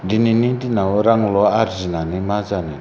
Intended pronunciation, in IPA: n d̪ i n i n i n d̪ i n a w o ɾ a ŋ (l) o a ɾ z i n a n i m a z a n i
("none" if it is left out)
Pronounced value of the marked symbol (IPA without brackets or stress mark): l